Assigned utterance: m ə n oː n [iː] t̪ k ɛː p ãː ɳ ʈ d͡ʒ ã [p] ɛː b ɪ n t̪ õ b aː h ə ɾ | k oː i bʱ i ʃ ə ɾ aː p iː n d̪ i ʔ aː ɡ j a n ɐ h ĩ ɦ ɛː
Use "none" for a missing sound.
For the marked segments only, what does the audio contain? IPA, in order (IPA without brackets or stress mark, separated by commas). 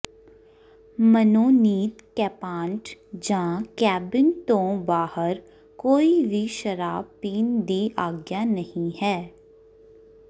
iː, k